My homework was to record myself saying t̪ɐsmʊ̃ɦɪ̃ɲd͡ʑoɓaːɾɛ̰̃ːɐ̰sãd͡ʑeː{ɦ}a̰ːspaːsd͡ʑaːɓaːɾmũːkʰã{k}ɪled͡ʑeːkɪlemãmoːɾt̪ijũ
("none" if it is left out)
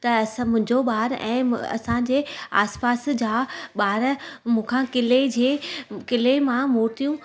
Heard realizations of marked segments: none, k

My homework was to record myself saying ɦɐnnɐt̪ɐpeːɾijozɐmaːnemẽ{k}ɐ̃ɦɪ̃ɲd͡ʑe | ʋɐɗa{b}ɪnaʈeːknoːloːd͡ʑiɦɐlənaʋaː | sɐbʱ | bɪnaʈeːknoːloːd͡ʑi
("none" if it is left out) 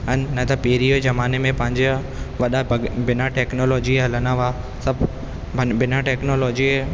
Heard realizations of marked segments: p, b

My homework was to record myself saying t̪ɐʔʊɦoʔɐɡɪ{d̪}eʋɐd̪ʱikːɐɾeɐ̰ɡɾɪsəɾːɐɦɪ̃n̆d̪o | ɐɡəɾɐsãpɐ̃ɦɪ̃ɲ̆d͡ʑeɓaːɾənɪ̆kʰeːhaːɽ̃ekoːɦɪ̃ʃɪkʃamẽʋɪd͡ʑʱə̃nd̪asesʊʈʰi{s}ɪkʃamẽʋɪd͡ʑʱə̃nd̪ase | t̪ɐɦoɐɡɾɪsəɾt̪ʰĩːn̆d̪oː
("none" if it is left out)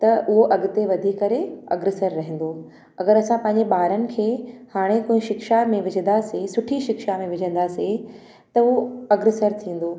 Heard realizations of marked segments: t̪, ʃ

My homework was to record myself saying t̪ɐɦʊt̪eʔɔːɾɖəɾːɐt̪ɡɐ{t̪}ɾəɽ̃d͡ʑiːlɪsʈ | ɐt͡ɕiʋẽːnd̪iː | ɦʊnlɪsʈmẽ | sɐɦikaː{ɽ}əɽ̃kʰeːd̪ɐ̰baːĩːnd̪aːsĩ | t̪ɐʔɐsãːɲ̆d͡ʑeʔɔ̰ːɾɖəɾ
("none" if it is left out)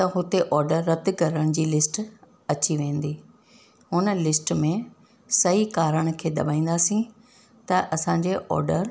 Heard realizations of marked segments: none, ɾ

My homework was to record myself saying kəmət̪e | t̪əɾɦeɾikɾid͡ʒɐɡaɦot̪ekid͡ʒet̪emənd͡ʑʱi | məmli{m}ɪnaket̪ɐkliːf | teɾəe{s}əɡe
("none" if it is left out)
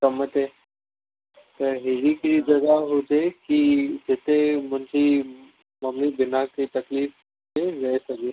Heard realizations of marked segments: b, s

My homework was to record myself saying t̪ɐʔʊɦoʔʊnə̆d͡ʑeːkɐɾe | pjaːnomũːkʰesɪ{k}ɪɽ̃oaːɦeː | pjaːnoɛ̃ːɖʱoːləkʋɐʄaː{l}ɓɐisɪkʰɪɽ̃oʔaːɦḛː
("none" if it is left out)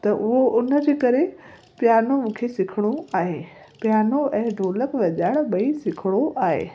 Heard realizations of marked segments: kʰ, ɽ

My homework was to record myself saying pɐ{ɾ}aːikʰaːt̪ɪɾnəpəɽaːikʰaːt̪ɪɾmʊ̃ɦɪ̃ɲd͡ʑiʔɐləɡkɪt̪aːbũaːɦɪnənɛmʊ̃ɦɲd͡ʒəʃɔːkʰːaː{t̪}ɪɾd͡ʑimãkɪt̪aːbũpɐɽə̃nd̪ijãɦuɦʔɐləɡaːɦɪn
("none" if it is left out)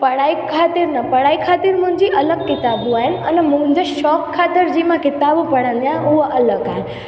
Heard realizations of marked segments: ɽ, t̪

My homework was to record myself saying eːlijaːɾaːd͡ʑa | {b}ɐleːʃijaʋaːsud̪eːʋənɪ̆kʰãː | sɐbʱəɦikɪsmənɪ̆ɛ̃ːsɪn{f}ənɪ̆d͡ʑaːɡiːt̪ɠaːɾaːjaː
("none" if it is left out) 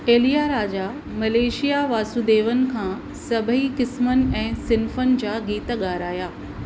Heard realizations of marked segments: m, f

